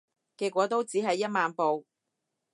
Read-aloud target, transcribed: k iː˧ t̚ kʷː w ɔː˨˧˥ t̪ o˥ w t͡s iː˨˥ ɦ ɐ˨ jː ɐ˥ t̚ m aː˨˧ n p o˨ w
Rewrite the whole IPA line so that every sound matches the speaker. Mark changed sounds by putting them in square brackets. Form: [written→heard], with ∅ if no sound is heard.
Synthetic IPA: k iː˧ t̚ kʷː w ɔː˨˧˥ t̪ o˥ w t͡s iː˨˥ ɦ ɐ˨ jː ɐ˥ t̚ m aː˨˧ n p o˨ w